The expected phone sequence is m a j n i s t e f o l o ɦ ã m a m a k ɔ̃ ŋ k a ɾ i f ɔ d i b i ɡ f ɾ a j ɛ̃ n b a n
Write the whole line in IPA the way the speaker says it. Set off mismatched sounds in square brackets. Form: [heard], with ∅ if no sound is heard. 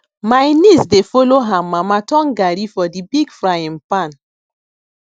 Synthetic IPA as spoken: m a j n i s [d] e f o l o ɦ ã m a m a [t] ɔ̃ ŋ [ɡ] a ɾ i f ɔ d i b i ɡ f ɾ a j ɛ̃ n [p] a n